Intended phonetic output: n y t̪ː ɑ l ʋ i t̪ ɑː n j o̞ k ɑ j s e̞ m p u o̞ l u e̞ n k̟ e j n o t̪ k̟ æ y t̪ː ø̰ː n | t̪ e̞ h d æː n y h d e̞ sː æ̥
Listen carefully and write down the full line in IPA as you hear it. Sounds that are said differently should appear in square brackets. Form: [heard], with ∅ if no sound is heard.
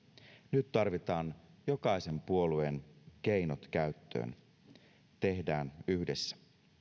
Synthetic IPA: n y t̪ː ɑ [r] ʋ i t̪ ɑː n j o̞ k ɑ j s e̞ m p u o̞ l u e̞ n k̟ e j n o t̪ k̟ æ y t̪ː ø̰ː n | t̪ e̞ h d æː n y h d e̞ sː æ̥